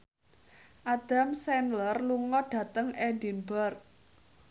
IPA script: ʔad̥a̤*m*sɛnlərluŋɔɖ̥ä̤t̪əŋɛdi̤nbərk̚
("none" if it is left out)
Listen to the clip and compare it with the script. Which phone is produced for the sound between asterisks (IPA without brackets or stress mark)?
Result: m